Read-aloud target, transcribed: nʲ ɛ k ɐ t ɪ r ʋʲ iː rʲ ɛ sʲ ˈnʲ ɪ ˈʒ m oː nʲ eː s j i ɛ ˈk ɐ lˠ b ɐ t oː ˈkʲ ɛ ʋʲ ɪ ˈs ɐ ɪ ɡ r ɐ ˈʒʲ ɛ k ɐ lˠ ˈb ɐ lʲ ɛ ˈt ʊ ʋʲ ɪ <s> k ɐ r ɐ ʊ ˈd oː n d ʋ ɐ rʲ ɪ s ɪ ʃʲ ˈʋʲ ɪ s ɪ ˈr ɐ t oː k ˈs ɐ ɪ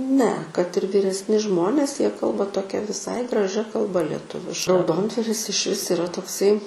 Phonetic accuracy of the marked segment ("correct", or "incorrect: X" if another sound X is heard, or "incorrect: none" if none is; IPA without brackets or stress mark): incorrect: ʃ